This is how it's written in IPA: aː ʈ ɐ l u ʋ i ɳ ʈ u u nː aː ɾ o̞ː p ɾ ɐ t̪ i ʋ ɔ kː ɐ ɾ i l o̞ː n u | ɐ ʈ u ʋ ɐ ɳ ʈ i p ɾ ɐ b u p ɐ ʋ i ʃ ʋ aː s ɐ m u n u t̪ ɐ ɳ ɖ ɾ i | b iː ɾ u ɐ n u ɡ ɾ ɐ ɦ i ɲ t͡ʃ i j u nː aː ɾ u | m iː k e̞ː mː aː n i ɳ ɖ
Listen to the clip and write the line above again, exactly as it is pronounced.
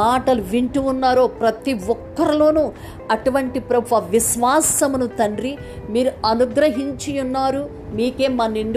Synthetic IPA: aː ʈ ɐ l u ʋ i ɳ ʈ u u nː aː ɾ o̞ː p ɾ ɐ t̪ i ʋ ɔ kː ɐ ɾ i l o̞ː n u | ɐ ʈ u ʋ ɐ ɳ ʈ i p ɾ ɐ b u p ɐ ʋ i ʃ ʋ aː s ɐ m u n u t̪ ɐ ɳ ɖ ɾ i | m iː ɾ u ɐ n u ɡ ɾ ɐ ɦ i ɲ t͡ʃ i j u nː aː ɾ u | m iː k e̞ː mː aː n i ɳ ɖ